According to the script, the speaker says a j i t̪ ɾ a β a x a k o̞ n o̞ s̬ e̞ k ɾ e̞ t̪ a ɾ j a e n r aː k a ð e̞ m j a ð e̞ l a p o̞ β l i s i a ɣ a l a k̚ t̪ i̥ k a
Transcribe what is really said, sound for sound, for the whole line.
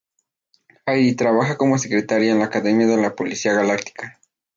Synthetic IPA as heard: a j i t̪ ɾ a β a x a k o̞ m o̞ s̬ e̞ k ɾ e̞ t̪ a ɾ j a e n l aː k a ð e̞ m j a ð e̞ l a p o̞ l i s i a ɣ a l a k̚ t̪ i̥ k a